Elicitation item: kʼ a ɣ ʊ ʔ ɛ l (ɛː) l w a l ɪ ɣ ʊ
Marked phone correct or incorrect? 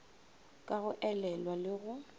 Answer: incorrect